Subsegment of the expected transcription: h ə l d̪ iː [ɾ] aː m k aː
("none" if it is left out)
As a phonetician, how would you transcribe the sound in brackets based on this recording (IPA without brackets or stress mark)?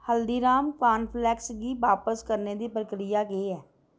ɾ